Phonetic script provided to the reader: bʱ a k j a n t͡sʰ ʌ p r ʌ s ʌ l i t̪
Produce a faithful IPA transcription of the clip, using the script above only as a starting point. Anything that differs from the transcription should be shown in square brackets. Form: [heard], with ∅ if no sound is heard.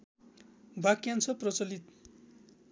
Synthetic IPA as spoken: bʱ a k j a n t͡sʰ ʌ p r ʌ [t͡s] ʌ l i t̪